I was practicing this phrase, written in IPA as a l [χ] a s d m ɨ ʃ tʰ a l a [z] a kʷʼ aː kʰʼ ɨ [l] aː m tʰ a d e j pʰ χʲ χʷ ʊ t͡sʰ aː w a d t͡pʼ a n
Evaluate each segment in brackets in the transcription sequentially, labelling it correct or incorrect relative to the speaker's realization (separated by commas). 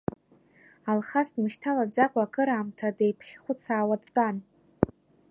correct, incorrect, incorrect